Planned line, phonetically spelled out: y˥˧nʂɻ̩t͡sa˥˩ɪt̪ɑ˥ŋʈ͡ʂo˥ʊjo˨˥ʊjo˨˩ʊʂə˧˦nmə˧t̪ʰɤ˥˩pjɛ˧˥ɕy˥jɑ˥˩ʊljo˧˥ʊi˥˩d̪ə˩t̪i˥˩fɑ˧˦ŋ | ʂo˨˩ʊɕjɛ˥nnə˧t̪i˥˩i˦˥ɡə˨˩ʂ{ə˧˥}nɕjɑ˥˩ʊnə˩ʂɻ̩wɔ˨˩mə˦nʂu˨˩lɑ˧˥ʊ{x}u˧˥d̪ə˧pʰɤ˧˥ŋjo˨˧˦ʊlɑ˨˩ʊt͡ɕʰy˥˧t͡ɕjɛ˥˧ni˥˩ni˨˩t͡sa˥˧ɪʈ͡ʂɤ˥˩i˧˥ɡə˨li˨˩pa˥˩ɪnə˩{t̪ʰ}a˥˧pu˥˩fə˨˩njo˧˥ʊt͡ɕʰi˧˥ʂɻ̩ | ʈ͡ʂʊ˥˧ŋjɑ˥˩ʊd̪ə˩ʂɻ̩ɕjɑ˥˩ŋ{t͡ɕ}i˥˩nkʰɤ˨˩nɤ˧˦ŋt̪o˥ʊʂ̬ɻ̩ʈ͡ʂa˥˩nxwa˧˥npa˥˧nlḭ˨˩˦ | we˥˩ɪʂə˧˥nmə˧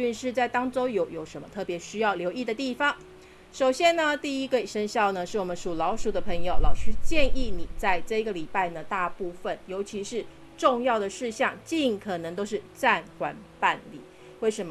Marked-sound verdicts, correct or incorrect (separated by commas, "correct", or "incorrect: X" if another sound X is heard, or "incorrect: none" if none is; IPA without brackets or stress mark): incorrect: ə˥, incorrect: ʂ, incorrect: t̪, correct